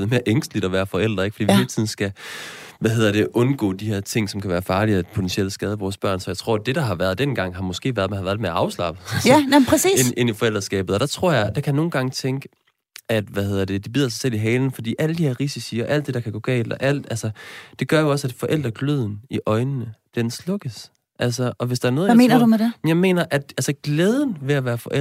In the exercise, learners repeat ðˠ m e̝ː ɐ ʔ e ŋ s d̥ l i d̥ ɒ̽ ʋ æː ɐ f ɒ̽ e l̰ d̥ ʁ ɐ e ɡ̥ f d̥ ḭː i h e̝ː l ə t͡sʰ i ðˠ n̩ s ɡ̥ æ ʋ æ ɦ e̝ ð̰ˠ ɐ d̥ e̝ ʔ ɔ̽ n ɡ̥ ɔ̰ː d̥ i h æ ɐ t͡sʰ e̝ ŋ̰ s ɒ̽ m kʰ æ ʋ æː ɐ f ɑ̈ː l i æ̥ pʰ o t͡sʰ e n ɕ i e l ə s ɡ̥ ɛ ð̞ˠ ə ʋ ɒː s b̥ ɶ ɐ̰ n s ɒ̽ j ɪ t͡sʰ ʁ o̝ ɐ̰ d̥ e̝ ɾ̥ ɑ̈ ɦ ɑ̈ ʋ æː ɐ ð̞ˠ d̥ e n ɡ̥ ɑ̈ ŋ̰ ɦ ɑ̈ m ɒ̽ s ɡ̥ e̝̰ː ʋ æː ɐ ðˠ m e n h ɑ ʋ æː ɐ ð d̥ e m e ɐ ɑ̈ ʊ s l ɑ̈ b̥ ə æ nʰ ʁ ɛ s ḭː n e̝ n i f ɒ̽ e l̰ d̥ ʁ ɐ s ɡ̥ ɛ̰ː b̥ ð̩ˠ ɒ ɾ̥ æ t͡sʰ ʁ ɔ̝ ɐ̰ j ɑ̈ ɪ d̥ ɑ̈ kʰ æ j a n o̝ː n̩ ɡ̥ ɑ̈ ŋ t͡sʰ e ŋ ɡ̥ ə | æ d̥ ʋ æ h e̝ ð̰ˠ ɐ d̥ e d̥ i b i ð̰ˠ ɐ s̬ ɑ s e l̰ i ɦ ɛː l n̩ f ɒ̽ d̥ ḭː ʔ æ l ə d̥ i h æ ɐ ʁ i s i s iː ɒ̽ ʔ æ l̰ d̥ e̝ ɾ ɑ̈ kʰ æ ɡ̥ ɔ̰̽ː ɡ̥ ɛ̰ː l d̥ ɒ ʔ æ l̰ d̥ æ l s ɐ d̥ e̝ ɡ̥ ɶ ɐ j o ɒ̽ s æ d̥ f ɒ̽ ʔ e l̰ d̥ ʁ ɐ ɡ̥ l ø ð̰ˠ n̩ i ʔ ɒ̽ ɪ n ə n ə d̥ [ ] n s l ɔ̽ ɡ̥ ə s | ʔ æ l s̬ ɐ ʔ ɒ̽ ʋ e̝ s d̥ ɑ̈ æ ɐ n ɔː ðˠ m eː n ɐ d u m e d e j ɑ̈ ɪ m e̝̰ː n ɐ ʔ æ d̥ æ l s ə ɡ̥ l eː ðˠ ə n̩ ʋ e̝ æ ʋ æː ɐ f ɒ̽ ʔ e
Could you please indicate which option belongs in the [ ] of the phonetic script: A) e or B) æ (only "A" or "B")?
A